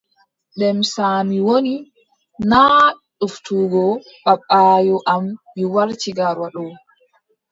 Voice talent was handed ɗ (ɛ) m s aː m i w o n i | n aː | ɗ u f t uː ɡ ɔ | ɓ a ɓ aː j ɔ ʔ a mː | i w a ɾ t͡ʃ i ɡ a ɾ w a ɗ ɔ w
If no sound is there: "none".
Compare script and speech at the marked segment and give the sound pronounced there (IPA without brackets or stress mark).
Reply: ɛ